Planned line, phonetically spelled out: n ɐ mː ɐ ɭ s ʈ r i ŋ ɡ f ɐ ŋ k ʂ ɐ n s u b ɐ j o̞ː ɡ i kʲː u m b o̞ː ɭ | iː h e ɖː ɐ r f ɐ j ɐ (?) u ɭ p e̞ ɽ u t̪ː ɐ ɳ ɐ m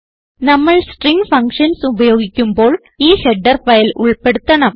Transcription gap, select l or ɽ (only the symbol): l